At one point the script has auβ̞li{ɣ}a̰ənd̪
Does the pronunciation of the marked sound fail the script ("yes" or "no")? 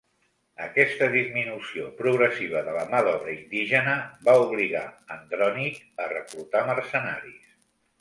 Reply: no